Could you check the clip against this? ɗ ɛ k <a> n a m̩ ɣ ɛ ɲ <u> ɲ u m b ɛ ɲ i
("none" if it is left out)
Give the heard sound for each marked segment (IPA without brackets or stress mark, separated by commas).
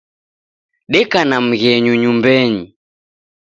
a, u